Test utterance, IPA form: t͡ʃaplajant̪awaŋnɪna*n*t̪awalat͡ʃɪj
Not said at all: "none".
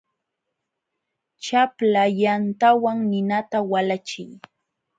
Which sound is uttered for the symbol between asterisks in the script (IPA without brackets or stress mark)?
none